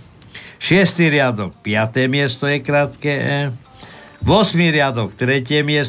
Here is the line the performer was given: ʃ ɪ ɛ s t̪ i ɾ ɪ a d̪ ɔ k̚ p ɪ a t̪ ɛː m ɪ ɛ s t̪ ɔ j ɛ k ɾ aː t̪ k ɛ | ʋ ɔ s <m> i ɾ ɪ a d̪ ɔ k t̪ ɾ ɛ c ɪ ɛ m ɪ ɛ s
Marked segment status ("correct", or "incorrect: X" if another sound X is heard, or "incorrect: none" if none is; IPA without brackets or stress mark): correct